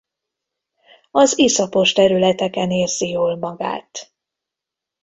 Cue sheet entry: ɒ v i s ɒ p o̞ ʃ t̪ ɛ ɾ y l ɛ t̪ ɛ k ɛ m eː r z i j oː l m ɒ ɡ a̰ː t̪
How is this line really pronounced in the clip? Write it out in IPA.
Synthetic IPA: ɒ z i s ɒ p o̞ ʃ t̪ ɛ ɾ y l ɛ t̪ ɛ k ɛ n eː r z i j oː l m ɒ ɡ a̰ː t̪